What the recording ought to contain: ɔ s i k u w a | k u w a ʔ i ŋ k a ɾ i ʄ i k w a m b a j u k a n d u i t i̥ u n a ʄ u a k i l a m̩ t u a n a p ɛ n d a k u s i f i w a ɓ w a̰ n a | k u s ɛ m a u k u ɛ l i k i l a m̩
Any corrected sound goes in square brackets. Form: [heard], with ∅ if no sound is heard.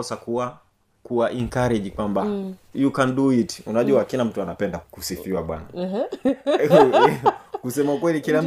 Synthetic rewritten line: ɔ s [a] k u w a | k u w a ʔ i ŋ k a ɾ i ʄ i k w a m b a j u k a n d u i t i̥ u n a ʄ u a k i l a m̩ t u a n a p ɛ n d a k u s i f i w a ɓ w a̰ n a | k u s ɛ m a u k [w] ɛ l i k i l a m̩